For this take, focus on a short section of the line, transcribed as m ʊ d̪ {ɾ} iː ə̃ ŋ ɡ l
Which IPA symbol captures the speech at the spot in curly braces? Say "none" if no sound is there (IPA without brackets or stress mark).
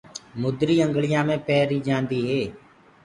ɾ